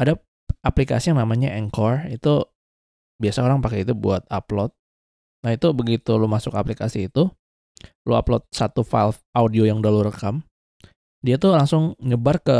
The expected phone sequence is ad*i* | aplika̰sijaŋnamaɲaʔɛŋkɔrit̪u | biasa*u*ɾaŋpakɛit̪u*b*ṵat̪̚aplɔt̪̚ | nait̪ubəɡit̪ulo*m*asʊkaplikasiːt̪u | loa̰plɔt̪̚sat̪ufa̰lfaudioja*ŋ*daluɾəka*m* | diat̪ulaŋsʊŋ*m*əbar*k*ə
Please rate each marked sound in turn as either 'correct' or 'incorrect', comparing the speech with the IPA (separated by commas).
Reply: incorrect, incorrect, correct, correct, correct, correct, incorrect, correct